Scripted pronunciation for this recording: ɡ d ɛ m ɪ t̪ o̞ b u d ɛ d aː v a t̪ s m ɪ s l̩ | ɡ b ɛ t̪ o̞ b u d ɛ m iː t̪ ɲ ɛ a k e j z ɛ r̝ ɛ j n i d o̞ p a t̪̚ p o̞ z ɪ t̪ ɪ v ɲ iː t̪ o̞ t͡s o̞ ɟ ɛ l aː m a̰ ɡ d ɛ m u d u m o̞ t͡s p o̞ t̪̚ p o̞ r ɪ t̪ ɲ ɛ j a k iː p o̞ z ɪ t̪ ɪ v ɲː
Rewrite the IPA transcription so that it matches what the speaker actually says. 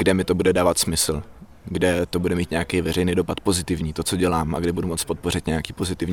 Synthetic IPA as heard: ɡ d ɛ m ɪ t̪ o̞ b u d ɛ d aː v a t̪ s m ɪ s l̩ | ɡ d ɛ t̪ o̞ b u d ɛ m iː t̪ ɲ ɛ a k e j v ɛ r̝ ɛ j n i d o̞ p a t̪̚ p o̞ z ɪ t̪ ɪ v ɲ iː t̪ o̞ t͡s o̞ ɟ ɛ l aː m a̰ ɡ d ɛ b u d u m o̞ t͡s p o̞ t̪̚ p o̞ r ɪ t̪ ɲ ɛ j a k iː p o̞ z ɪ t̪ ɪ v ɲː